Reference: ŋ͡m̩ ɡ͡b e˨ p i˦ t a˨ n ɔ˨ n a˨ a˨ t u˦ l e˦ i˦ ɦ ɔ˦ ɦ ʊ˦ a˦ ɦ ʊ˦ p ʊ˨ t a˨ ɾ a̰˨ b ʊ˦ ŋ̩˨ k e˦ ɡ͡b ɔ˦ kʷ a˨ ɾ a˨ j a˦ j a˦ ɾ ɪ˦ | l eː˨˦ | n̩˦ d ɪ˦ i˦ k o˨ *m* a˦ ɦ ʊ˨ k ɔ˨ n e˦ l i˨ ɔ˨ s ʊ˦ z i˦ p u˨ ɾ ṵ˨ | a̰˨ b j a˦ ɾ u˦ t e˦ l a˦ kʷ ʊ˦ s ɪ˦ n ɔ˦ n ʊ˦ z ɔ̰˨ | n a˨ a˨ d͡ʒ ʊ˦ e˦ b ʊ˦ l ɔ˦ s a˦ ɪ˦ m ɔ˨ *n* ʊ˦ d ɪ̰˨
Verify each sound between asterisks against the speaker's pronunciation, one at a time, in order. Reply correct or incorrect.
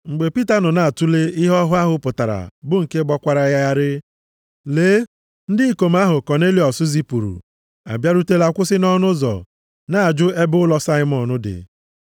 correct, correct

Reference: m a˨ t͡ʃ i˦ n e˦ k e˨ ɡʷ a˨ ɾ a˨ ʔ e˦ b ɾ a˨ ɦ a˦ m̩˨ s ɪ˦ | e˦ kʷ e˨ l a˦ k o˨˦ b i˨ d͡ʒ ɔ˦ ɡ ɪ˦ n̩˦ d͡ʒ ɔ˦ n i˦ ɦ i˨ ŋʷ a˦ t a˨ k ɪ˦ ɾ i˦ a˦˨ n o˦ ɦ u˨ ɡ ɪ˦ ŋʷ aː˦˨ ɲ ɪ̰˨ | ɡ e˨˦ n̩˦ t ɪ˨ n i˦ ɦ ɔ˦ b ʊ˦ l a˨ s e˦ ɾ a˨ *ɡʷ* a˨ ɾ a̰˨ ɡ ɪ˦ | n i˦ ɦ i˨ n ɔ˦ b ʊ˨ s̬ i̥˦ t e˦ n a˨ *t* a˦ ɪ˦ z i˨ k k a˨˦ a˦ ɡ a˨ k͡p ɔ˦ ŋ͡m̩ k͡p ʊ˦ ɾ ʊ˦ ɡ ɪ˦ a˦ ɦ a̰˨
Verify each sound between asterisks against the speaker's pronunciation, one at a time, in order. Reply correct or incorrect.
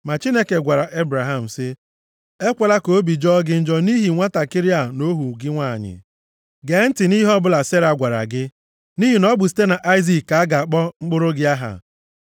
correct, incorrect

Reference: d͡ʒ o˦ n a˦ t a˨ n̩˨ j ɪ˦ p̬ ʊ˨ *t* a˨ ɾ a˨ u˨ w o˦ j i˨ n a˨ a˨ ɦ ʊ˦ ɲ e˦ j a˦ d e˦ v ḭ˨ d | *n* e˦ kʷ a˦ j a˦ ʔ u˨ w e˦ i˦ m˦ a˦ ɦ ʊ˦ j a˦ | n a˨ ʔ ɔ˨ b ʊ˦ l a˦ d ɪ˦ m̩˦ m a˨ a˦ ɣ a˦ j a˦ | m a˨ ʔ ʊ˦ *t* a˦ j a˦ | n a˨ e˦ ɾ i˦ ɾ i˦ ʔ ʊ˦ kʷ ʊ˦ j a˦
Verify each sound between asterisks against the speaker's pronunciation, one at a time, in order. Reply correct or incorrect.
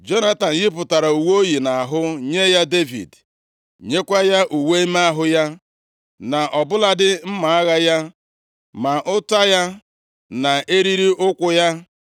correct, incorrect, correct

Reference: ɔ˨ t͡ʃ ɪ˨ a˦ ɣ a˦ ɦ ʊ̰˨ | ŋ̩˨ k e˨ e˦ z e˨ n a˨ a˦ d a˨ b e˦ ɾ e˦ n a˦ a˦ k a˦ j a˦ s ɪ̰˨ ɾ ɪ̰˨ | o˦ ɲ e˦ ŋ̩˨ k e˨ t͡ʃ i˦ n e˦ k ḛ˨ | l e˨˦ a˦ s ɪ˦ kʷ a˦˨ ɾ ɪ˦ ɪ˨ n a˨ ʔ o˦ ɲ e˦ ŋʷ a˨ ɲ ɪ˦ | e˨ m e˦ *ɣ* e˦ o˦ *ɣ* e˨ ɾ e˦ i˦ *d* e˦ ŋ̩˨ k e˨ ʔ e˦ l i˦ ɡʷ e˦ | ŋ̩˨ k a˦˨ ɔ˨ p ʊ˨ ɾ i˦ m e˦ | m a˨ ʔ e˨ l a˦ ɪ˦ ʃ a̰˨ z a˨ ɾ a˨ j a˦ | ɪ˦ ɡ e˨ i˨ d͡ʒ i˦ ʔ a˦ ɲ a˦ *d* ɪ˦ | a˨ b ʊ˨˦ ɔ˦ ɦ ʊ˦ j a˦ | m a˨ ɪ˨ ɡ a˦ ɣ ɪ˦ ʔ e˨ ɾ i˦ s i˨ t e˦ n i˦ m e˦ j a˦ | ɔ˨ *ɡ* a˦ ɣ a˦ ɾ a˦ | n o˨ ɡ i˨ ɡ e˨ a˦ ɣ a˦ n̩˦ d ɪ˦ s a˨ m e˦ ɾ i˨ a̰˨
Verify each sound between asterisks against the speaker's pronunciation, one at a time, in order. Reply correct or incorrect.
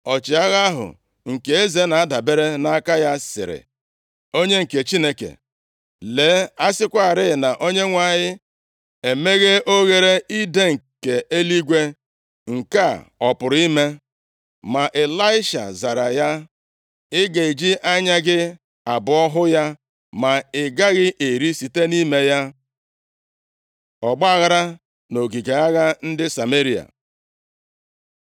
correct, correct, correct, incorrect, incorrect

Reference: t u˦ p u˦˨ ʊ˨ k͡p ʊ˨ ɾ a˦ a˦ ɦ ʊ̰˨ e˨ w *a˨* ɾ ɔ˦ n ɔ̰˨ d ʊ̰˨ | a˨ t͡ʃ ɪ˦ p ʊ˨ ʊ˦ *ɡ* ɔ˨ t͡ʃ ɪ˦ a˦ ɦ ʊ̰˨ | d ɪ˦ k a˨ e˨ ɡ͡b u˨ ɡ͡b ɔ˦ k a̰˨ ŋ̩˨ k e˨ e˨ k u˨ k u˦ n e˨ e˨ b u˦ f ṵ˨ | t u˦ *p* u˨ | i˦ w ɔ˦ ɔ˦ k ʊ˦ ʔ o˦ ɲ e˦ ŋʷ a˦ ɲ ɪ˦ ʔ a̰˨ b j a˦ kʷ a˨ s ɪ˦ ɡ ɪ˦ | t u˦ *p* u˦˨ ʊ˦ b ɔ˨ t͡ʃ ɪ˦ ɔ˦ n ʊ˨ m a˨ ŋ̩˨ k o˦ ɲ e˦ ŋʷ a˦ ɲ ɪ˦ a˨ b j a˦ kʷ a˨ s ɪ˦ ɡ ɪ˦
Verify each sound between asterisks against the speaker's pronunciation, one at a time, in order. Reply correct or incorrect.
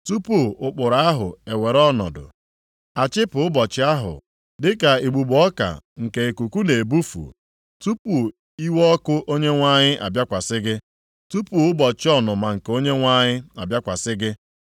incorrect, incorrect, correct, correct

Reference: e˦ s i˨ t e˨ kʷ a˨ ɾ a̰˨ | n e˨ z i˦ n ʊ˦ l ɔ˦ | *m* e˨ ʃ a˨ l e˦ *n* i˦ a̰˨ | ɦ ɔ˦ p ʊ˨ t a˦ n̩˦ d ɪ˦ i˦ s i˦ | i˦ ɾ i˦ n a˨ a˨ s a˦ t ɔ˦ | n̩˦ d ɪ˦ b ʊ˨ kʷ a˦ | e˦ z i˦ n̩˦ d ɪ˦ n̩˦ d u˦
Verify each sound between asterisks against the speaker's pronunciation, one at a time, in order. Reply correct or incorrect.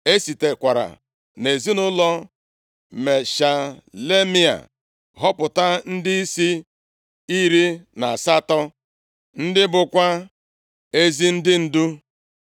correct, incorrect

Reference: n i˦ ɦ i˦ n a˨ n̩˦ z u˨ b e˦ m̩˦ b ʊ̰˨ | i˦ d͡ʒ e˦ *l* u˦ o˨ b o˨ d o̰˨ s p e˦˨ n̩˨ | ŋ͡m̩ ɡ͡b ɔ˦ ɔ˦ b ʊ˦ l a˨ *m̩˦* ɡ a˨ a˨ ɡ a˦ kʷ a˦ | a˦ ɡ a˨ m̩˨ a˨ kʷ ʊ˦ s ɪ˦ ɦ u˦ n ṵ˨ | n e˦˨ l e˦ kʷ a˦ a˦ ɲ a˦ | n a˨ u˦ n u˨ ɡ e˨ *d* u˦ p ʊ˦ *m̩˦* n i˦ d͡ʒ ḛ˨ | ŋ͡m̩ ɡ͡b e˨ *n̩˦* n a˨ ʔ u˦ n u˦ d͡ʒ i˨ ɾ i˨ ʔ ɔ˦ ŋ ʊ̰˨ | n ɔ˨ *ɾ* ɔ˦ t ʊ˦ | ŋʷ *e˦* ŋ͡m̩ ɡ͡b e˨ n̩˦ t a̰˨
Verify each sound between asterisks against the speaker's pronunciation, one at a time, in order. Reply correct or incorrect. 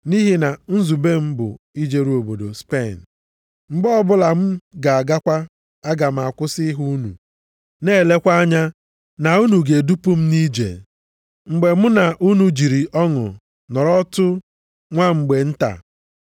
incorrect, correct, correct, correct, incorrect, correct, incorrect

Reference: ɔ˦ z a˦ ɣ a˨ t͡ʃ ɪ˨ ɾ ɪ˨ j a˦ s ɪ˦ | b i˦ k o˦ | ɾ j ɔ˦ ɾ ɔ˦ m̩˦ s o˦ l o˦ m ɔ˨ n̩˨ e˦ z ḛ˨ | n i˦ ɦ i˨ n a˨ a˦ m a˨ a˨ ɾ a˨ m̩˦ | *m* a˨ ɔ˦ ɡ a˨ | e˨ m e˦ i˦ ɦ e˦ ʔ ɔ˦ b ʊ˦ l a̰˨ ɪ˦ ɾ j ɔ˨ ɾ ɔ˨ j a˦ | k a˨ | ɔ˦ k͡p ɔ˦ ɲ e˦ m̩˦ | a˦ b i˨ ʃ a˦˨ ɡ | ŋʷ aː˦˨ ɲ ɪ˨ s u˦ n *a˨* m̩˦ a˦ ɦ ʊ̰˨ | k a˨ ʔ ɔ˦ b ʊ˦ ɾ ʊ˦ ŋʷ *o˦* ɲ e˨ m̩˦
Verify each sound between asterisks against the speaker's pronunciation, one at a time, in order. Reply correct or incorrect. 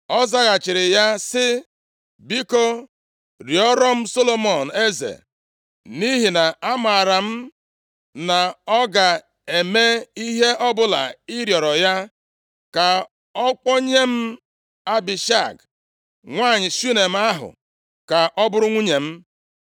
incorrect, incorrect, incorrect

